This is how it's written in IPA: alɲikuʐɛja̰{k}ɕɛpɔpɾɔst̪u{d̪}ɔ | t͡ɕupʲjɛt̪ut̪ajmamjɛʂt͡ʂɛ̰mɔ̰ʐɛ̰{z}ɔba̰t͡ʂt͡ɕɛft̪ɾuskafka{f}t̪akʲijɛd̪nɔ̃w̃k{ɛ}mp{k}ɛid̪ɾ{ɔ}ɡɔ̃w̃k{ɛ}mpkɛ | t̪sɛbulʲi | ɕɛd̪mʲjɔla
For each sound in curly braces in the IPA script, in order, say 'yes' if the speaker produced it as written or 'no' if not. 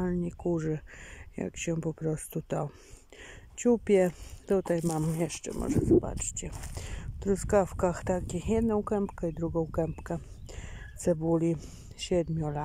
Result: yes, no, yes, no, yes, yes, no, yes

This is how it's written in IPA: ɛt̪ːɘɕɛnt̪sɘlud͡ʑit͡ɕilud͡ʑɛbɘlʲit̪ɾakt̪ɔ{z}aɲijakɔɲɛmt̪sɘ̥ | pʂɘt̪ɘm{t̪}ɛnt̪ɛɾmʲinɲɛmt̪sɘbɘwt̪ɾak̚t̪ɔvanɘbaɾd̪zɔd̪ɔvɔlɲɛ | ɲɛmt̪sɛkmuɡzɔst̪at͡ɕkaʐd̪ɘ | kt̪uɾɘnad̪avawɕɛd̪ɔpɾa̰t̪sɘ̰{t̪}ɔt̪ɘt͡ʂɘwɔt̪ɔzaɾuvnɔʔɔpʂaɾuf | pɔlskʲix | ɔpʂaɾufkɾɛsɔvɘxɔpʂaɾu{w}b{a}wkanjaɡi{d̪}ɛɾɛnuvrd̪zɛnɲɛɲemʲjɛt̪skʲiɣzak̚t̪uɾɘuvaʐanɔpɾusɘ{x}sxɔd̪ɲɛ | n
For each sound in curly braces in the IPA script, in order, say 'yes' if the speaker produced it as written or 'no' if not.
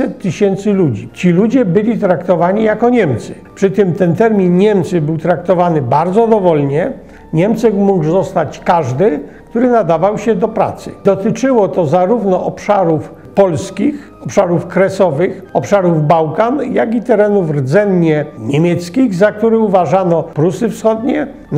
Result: no, yes, no, no, yes, no, no

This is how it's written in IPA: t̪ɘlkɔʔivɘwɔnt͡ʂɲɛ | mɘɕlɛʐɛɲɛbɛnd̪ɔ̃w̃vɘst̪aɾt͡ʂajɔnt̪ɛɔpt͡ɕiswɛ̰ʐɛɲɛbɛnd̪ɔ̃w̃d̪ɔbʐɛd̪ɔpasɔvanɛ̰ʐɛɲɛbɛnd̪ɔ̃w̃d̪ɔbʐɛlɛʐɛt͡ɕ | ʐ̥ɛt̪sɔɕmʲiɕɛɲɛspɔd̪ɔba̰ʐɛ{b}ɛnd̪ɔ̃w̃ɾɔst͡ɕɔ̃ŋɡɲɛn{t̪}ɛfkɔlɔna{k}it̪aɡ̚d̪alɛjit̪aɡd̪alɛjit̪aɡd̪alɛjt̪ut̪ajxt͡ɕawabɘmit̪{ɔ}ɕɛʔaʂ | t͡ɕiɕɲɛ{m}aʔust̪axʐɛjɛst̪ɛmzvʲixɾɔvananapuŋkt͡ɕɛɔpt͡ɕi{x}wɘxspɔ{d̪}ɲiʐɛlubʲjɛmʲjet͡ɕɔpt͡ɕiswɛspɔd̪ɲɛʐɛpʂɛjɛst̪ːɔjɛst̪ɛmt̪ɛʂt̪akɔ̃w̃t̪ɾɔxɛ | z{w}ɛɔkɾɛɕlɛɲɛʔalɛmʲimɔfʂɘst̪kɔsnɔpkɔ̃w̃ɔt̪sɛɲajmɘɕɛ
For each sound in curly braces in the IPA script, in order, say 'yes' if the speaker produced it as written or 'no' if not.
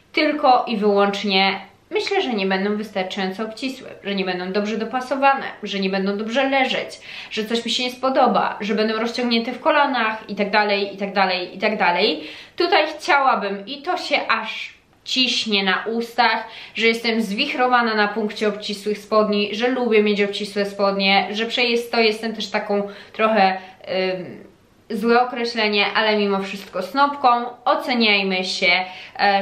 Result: yes, yes, no, yes, no, no, yes, yes

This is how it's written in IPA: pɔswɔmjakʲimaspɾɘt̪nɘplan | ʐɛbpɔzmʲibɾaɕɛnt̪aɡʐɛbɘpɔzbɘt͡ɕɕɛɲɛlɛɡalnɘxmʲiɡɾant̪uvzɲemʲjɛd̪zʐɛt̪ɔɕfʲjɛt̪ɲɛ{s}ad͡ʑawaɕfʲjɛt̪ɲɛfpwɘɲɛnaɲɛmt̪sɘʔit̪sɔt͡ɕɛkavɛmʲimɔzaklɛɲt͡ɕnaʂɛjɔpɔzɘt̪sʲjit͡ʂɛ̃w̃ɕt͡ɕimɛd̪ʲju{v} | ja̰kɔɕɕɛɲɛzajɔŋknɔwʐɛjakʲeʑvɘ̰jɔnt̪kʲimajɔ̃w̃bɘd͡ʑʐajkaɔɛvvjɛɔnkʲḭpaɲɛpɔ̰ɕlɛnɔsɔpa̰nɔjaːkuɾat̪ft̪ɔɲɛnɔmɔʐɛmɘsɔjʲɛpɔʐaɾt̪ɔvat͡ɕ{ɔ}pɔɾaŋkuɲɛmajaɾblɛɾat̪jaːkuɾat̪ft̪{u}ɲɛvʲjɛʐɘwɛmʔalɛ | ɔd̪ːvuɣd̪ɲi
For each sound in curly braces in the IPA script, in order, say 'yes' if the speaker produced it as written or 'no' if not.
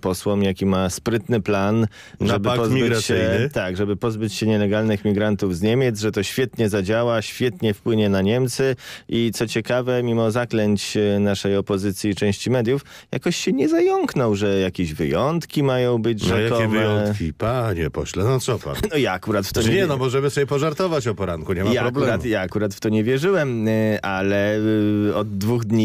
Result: no, no, yes, no

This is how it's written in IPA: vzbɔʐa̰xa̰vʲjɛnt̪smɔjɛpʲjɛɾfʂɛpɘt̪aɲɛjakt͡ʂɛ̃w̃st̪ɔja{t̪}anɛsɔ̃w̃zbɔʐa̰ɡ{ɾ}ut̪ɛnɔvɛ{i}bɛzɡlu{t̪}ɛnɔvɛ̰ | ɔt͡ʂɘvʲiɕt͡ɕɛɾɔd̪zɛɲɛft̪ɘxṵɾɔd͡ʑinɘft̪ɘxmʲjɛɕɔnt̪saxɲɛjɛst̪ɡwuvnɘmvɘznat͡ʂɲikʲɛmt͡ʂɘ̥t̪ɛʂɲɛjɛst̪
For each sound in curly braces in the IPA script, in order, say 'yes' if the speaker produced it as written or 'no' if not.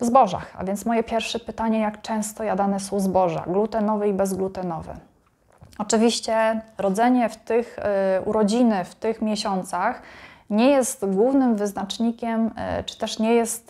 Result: no, no, yes, yes

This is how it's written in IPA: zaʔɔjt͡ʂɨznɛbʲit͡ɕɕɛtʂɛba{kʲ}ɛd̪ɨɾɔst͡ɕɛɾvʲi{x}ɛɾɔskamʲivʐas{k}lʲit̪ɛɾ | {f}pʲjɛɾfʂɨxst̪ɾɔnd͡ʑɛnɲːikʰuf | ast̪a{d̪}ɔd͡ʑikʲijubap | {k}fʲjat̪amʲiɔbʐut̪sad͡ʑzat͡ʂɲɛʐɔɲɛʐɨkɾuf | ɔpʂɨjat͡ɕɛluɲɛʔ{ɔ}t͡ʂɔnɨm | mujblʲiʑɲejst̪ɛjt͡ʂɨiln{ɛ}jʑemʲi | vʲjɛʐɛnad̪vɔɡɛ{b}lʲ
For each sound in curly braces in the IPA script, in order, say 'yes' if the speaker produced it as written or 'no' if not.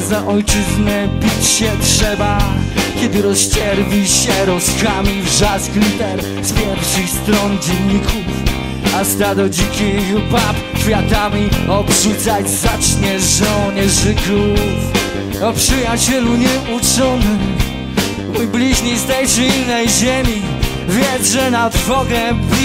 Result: yes, no, yes, no, yes, yes, no, yes, yes

